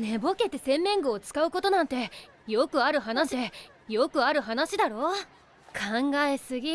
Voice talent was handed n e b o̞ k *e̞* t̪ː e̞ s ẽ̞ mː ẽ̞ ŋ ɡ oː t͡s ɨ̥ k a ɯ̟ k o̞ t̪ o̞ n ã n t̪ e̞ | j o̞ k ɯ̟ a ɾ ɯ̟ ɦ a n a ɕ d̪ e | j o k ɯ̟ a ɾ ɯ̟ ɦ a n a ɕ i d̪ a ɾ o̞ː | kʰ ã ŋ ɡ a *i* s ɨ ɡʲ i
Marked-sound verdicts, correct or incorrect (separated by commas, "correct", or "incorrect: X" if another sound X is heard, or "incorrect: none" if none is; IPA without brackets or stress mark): correct, incorrect: e